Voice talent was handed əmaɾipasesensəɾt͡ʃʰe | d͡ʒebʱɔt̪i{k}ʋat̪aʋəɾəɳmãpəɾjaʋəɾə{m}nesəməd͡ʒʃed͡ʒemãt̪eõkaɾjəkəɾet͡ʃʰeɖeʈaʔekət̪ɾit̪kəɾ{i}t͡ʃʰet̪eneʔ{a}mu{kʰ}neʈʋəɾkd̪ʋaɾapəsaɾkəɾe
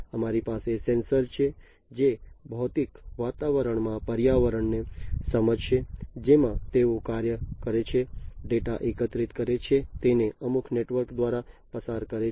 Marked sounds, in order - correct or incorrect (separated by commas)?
correct, incorrect, incorrect, incorrect, correct